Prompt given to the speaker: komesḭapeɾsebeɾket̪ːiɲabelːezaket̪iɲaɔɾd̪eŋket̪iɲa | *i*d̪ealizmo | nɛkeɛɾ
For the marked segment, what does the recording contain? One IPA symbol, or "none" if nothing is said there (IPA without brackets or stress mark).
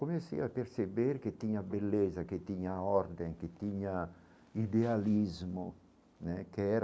i